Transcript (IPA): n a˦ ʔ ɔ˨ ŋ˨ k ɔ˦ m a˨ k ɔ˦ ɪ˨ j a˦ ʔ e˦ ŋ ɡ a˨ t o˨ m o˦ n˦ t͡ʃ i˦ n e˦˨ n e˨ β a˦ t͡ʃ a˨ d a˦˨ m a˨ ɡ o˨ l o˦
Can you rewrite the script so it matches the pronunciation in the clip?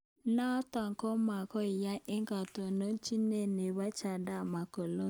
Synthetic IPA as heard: n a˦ t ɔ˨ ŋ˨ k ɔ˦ m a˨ k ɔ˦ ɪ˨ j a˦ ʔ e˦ ŋ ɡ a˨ t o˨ n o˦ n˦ t͡ʃ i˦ n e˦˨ n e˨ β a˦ t͡ʃ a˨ d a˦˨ m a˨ k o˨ l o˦